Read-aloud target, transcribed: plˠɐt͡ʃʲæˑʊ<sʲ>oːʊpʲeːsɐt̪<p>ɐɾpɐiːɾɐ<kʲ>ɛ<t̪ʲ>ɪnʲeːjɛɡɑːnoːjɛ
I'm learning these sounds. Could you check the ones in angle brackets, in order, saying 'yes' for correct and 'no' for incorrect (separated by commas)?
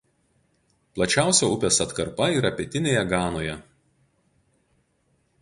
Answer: yes, no, no, yes